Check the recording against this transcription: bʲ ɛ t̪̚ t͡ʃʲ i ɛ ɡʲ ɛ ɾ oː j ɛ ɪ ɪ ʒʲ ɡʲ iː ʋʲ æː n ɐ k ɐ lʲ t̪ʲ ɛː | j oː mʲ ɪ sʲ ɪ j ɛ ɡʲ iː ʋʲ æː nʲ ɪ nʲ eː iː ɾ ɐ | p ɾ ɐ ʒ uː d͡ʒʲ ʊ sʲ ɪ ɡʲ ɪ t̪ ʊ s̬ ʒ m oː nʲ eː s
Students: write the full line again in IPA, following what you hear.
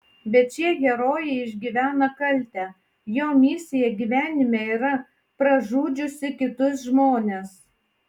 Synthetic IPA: bʲ ɛ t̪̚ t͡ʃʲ i ɛ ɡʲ ɛ ɾ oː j ɛ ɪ ɪ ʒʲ ɡʲ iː ʋʲ æː n ɐ k ɐ lʲ t̪ʲ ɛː | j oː mʲ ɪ sʲ ɪ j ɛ ɡʲ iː ʋʲ æː nʲ ɪ mʲ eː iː ɾ ɐ | p ɾ ɐ ʒ uː d͡ʒʲ ʊ sʲ ɪ kʲ ɪ t̪ ʊ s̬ ʒ m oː nʲ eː s

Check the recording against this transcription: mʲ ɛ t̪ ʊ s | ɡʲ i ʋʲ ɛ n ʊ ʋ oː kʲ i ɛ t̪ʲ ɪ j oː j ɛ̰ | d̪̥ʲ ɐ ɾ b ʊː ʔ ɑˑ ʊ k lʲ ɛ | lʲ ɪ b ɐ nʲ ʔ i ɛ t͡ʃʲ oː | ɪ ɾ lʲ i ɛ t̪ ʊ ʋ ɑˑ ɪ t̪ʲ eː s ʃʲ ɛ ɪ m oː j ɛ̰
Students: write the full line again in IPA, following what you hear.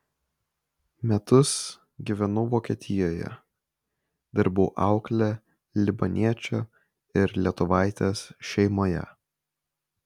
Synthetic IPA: mʲ ɛ t̪ ʊ s | ɡʲ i ʋʲ ɛ n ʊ ʋ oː kʲ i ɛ t̪ʲ ɪ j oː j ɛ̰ | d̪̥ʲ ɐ ɾ b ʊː ʔ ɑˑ ʊ k lʲ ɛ | lʲ ɪ b ɐ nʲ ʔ i ɛ t͡ʃʲ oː | ɪ ɾ lʲ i ɛ t̪ ʊ ʋ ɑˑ ɪ t̪ʲ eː s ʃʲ ɛ ɪ m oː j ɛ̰

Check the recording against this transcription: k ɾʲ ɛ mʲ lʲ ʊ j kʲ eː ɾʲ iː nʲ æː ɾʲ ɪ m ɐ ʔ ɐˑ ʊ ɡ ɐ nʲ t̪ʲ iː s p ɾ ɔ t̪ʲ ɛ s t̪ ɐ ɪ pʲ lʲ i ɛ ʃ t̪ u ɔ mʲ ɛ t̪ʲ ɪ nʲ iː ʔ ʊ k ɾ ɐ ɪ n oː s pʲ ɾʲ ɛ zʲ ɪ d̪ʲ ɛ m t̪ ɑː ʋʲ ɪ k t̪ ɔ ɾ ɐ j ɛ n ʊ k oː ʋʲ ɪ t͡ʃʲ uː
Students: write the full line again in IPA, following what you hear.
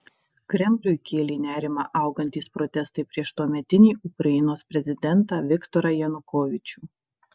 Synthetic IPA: k ɾʲ ɛ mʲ lʲ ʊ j kʲ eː lʲ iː nʲ æː ɾʲ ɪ m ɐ ʔ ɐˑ ʊ ɡ ɐ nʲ t̪ʲ iː s p ɾ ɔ t̪ʲ ɛ s t̪ ɐ ɪ pʲ ɾʲ i ɛ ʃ t̪ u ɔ mʲ ɛ t̪ʲ ɪ nʲ iː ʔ ʊ k ɾ ɐ ɪ n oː s pʲ ɾʲ ɛ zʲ ɪ d̪ʲ ɛ n t̪ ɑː ʋʲ ɪ k t̪ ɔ ɾ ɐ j ɛ n ʊ k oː ʋʲ ɪ t͡ʃʲ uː

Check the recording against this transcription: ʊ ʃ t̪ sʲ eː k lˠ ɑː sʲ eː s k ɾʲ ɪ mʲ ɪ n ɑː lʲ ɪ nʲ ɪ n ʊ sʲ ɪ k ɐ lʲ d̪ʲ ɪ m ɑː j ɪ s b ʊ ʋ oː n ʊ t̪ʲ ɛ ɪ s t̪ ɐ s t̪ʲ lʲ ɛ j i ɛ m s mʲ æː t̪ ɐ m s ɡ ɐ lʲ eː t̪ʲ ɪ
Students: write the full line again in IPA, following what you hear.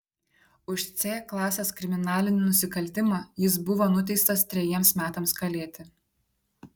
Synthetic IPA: ʊ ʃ t̪ sʲ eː k lˠ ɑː sʲ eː s k ɾʲ ɪ mʲ ɪ n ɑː lʲ ɪ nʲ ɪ n ʊ sʲ ɪ k ɐ lʲ t̪ʲ ɪ m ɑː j ɪ s b ʊ ʋ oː n ʊ t̪ʲ ɛ ɪ s t̪ ɐ s t̪ʲ ɾʲ ɛ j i ɛ m s mʲ æː t̪ ɐ m s k ɐ lʲ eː t̪ʲ ɪ

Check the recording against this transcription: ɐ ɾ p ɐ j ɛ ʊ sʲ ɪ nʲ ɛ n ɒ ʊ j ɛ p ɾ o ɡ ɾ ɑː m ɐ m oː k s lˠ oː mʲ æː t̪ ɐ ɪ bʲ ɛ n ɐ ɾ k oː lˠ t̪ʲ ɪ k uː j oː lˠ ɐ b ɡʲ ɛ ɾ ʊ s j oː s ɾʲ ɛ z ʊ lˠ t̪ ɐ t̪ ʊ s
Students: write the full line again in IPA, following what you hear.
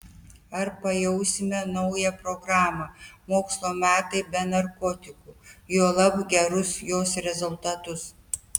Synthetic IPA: ɐ ɾ p ɐ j ɛ ʊ sʲ ɪ mʲ ɛ n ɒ ʊ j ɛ p ɾ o ɡ ɾ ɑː m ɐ m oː k s lˠ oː mʲ æː t̪ ɐ ɪ bʲ ɛ n ɐ ɾ k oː t̪ʲ ɪ k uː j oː lˠ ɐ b ɡʲ ɛ ɾ ʊ s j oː s ɾʲ ɛ z ʊ lˠ t̪ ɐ t̪ ʊ s

